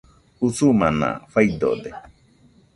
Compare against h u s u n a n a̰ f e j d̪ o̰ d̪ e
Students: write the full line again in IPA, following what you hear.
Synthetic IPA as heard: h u s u m a n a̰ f a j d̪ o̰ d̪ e